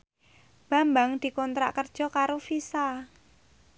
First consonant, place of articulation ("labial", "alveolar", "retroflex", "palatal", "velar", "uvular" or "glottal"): labial